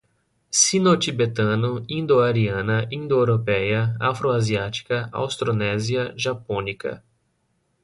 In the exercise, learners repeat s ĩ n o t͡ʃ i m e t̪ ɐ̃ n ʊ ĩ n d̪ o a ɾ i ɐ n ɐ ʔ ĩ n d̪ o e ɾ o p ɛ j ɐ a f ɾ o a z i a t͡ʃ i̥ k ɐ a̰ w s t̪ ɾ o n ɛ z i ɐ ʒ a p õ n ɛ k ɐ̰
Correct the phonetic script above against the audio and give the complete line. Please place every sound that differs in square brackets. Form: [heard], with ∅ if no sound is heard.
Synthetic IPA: s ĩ n o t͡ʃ i [b] e t̪ ɐ̃ n ʊ ĩ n d̪ o a ɾ i [ɐ̃] n ɐ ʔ ĩ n d̪ o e ɾ o p ɛ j ɐ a f ɾ o a z i a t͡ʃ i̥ k ɐ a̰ w s t̪ ɾ o n ɛ z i ɐ ʒ a p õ n [i] k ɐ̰